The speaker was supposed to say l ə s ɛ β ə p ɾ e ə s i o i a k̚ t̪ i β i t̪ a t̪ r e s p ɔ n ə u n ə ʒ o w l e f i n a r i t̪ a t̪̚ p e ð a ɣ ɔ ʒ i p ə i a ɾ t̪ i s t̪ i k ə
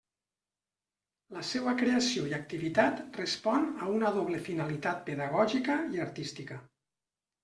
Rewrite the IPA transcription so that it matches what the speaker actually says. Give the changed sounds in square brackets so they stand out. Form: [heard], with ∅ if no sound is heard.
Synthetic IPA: l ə s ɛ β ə [k] ɾ e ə s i o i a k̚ t̪ i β i t̪ a t̪ r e s p ɔ n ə u n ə [ð] o [β] l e f i n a [l] i t̪ a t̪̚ p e ð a ɣ ɔ ʒ i [k] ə i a ɾ t̪ i s t̪ i k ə